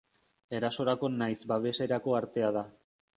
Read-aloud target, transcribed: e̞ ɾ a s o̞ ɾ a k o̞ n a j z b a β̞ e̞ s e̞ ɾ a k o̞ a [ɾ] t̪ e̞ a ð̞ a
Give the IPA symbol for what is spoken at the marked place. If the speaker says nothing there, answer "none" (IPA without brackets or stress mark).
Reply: ɾ